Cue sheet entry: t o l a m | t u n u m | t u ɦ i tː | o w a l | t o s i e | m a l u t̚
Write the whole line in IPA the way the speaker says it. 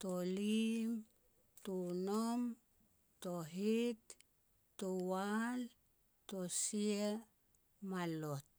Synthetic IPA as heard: t o l i m | t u n o m | t o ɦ i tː | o w a l | t o s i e | m a l o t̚